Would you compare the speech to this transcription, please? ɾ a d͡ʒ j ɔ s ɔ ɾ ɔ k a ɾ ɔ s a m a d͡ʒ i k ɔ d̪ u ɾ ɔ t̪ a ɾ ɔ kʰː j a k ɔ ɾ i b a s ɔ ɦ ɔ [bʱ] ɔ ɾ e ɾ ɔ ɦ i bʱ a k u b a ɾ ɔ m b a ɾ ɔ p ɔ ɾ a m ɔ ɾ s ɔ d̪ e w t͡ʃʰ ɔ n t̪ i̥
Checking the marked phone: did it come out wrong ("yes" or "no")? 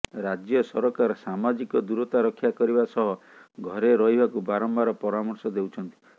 yes